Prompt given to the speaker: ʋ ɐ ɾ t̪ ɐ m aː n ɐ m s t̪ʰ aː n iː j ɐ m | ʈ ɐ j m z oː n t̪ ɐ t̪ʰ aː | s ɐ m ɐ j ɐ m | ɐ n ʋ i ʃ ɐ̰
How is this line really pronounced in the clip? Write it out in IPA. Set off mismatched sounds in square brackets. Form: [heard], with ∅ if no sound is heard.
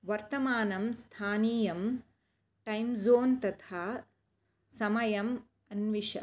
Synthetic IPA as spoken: ʋ ɐ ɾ t̪ ɐ m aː n ɐ m s t̪ʰ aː n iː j ɐ m | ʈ ɐ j m z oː n t̪ ɐ t̪ʰ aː | s ɐ m ɐ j ɐ m | ɐ n ʋ i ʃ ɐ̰